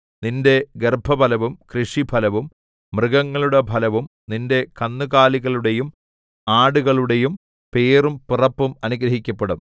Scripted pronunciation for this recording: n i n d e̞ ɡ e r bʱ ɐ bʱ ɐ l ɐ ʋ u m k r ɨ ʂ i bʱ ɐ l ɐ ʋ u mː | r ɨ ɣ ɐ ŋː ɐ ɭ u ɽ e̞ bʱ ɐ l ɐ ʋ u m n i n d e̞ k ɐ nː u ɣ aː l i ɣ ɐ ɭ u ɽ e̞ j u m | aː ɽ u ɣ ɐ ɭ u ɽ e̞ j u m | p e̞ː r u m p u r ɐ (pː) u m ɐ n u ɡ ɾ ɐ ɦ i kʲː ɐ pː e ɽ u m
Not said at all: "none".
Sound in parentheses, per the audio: pː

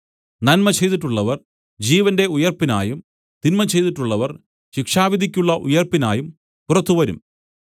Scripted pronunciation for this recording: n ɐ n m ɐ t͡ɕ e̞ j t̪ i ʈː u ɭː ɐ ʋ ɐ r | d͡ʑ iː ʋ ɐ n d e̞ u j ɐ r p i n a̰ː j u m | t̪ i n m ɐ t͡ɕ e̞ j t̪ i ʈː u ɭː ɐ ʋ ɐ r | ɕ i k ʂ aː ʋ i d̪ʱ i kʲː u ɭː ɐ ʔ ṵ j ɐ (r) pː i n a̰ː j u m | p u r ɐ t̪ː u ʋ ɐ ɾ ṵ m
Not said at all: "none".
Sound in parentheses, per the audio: r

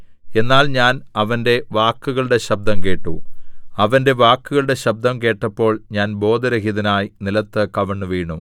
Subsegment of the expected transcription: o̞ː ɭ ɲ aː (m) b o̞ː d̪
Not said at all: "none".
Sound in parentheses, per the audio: n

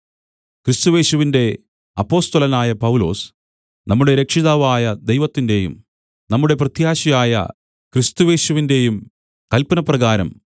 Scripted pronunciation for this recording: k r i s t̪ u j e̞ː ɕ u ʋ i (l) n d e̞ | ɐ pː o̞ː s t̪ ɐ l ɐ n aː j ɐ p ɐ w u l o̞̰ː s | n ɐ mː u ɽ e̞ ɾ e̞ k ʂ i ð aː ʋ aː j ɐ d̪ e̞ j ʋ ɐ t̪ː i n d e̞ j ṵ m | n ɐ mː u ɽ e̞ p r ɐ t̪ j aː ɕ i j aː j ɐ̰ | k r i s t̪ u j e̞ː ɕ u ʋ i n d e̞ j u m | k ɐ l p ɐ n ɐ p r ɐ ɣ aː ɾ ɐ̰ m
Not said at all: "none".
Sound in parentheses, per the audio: none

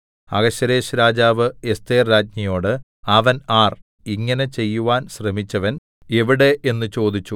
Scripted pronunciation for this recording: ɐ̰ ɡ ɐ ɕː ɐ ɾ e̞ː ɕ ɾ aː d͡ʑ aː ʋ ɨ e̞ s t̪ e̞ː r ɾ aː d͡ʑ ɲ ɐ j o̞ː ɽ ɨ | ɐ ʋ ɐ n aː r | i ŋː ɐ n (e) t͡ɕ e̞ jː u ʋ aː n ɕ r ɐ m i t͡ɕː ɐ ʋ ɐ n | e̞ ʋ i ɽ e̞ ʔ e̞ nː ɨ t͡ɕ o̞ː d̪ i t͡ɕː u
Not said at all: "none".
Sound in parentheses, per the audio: e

